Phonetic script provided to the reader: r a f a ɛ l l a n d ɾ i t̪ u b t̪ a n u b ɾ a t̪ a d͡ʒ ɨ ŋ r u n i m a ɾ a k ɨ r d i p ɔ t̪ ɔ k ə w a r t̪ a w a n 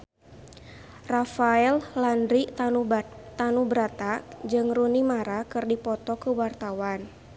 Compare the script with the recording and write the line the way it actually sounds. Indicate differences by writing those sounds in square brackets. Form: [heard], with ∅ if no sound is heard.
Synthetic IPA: r a f a ɛ l l a n d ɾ i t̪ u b t̪ a n u b ɾ a t̪ a d͡ʒ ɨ ŋ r u n i m a ɾ a k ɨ r d i p ɔ t̪ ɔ k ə w a r t̪ a w a n